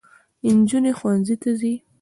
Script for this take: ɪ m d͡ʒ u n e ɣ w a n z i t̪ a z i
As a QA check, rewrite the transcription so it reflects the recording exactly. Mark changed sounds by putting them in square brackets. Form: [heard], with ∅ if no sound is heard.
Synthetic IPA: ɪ [n] d͡ʒ u n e [x] w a n z i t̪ a z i